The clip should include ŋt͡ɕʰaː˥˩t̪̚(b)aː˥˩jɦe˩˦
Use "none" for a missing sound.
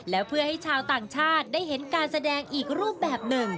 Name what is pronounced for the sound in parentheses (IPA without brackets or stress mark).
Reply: d